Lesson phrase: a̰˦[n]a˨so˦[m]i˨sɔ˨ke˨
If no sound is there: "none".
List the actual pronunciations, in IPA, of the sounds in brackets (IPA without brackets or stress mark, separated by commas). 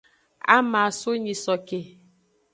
m, ɲ